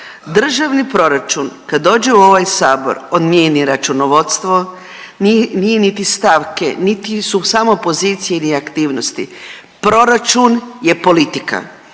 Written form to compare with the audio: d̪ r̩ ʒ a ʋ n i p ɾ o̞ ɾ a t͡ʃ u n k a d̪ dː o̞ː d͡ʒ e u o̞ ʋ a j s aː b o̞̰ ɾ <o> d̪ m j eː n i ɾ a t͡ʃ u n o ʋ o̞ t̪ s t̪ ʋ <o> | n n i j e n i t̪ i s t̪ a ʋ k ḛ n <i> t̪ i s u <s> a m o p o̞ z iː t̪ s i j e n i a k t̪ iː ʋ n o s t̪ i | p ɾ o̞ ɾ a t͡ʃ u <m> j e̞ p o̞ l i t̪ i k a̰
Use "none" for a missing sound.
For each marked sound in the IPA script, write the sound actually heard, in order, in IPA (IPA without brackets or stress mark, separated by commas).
o, o, i, s, n